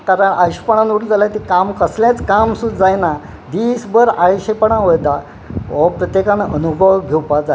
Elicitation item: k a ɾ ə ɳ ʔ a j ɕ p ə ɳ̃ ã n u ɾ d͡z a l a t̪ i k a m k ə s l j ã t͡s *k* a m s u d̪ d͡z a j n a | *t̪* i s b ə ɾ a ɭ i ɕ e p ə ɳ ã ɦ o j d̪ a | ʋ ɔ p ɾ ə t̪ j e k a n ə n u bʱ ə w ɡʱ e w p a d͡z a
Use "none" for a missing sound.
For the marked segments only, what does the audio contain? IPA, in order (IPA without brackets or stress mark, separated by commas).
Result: k, d̪